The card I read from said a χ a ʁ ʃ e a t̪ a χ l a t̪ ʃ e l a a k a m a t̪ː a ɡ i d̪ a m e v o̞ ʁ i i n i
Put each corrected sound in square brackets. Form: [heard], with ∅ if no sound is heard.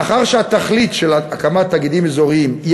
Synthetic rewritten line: a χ a ʁ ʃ e a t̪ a χ l [i] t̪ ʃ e l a a k a m a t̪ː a ɡ i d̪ [i] m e [z] o̞ ʁ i i [m] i